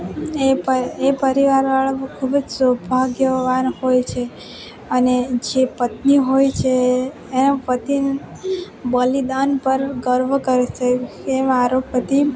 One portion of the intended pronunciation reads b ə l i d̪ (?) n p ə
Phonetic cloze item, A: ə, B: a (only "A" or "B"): B